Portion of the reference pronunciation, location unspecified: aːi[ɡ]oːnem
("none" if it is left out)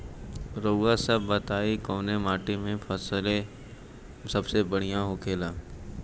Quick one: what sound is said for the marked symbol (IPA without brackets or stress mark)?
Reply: k